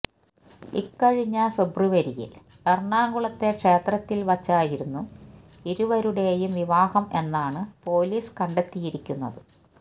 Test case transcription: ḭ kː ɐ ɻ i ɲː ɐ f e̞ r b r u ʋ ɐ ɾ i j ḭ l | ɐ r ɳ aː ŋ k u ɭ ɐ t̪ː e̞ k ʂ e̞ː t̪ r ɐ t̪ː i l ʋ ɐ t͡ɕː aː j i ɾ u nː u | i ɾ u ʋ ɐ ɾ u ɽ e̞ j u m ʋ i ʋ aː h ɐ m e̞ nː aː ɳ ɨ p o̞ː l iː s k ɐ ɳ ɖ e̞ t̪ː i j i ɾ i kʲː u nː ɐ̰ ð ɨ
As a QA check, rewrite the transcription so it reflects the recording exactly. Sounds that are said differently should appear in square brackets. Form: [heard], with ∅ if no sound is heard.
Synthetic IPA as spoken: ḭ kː ɐ ɻ i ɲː ɐ f e̞ [∅] b r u ʋ ɐ ɾ i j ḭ l | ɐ r ɳ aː ŋ [ɡ] u ɭ ɐ t̪ː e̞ k ʂ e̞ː t̪ r ɐ t̪ː i l ʋ ɐ t͡ɕː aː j i ɾ u nː u | i ɾ u ʋ ɐ ɾ u ɽ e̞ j u m ʋ i ʋ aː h ɐ m e̞ nː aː ɳ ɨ p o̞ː l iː s k ɐ ɳ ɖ e̞ t̪ː i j i ɾ i kʲː u nː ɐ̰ ð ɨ